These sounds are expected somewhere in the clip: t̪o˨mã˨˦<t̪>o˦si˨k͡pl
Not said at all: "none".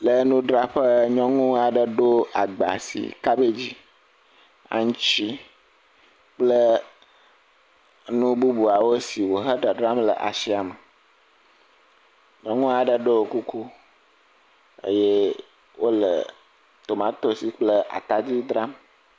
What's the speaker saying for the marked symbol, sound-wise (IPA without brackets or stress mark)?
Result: t̪